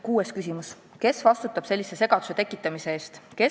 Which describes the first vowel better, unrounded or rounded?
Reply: rounded